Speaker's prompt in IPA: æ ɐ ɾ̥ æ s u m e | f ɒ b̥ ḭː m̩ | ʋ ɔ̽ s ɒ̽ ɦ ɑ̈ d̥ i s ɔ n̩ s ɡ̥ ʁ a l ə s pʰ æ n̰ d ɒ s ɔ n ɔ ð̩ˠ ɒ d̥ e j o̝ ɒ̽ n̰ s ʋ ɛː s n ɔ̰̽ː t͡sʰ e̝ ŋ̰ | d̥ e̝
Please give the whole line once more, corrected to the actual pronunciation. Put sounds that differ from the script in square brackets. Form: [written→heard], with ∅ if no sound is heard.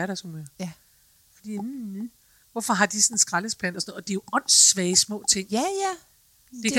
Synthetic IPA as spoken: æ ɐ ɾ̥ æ s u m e | f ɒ [b̥→d̥] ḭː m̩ | ʋ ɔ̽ [s→f] ɒ̽ ɦ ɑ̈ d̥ i s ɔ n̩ s ɡ̥ ʁ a l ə s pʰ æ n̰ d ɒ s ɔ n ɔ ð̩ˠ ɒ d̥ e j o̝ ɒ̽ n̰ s ʋ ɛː s [n→m] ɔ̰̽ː t͡sʰ e̝ ŋ̰ | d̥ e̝